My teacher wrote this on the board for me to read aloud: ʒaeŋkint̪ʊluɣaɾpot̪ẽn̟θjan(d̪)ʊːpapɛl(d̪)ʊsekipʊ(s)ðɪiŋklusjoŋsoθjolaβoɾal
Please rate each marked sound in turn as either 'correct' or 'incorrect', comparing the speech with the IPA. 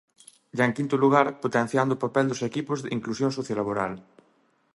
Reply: correct, correct, incorrect: z

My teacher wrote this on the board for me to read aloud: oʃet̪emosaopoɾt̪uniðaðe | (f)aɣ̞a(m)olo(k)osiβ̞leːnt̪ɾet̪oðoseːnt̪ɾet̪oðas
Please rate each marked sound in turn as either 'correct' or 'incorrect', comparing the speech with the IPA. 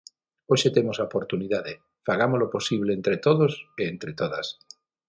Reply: correct, correct, incorrect: p

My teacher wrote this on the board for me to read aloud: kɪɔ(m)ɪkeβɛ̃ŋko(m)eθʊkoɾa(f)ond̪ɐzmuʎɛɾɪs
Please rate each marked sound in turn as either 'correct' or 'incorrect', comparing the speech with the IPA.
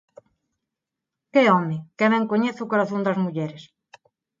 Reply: correct, incorrect: ɲ, incorrect: θ

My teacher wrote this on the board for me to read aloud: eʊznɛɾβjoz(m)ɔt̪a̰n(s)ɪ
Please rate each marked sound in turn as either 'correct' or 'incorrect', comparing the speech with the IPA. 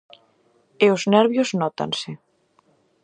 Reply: incorrect: n, correct

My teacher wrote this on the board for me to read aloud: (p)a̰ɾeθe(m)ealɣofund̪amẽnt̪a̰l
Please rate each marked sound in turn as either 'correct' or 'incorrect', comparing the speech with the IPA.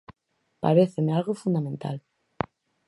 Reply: correct, correct

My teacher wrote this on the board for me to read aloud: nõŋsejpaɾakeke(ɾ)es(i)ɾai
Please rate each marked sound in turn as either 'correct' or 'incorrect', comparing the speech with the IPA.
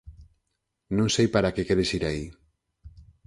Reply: correct, correct

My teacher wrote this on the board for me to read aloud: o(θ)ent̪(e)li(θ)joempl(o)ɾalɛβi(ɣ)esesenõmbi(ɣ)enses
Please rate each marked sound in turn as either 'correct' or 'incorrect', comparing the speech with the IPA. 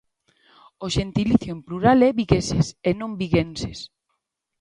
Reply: incorrect: ʃ, incorrect: i, correct, incorrect: u, correct, correct

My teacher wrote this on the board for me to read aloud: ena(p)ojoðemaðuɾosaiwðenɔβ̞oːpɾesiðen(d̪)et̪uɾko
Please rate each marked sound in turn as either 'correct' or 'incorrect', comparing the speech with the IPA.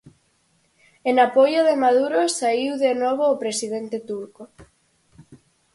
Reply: correct, incorrect: t̪

